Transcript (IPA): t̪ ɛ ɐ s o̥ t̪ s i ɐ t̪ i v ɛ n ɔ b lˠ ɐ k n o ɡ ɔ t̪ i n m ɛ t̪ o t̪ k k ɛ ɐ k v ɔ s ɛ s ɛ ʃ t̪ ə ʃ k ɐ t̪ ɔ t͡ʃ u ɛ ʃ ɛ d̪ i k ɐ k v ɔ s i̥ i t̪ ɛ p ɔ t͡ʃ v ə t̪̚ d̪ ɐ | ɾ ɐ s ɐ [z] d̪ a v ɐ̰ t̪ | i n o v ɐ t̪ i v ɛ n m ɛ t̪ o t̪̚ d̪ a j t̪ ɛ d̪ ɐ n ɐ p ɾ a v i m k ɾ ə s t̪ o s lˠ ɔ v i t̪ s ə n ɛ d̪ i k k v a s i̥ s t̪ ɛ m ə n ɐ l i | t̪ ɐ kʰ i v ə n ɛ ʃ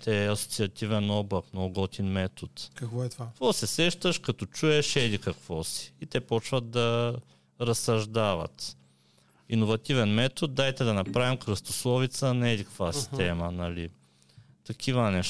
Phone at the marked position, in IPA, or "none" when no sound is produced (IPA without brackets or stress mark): ʒ